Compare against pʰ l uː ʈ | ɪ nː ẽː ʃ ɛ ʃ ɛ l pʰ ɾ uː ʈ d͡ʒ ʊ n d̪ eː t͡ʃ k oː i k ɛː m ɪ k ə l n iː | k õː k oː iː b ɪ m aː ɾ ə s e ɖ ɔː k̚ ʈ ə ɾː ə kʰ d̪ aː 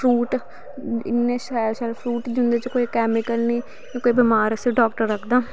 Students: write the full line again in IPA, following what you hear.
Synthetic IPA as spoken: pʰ ɾ uː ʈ | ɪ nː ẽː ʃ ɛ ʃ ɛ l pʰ ɾ uː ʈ d͡ʒ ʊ n d̪ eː t͡ʃ k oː i k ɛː m ɪ k ə l n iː | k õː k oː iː b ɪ m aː ɾ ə s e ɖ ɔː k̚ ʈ ə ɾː ə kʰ d̪ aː